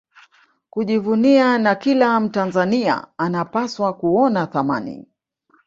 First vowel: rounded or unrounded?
rounded